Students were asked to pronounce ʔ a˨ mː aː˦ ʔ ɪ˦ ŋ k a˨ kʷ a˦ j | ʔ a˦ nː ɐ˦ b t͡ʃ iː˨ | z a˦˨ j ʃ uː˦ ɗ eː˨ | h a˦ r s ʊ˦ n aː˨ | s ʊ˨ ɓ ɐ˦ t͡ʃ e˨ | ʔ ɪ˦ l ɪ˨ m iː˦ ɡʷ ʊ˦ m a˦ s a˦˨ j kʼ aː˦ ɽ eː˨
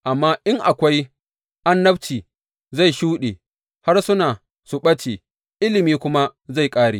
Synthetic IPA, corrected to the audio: ʔ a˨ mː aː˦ ʔ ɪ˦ ŋ ʔ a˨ kʷ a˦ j | ʔ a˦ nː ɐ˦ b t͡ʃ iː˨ | z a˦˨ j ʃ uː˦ ɗ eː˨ | h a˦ r s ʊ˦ n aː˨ | s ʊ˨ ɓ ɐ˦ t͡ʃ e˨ | ʔ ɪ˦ l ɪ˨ m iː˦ kʷ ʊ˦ m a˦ z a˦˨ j kʼ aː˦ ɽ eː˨

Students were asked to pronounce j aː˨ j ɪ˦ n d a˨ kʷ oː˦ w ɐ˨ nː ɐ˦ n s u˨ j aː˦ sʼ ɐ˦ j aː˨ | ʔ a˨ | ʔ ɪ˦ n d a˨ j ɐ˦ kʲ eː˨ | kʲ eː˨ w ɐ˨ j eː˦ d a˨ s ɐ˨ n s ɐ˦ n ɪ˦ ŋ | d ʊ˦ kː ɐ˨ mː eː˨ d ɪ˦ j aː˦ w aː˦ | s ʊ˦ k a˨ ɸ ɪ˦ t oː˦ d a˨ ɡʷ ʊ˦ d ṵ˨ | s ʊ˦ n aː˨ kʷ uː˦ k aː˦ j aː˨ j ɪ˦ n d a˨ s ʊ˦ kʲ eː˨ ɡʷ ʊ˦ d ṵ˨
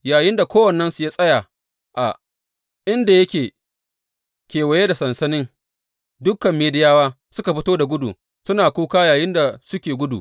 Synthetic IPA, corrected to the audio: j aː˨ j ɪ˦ n d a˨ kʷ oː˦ w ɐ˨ nː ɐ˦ n s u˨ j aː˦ sʼ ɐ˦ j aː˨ | ʔ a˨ | ʔ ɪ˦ n d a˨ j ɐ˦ kʲ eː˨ | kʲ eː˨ w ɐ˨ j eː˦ d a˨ s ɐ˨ n s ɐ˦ n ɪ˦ ŋ | d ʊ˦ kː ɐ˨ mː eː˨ d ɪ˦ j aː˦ w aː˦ | s ʊ˦ k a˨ ɸ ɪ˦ t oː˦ d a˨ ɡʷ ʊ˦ d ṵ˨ | s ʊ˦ n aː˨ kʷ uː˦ k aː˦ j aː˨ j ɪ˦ n d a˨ s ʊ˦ kʲ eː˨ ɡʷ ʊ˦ d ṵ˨

